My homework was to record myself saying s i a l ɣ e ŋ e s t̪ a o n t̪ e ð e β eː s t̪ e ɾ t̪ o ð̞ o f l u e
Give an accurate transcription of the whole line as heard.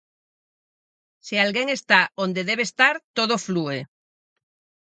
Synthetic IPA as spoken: s i a l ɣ e ŋ e s t̪ a o n d̪ e ð e β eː s t̪ a ɾ t̪ o ð̞ o f l u e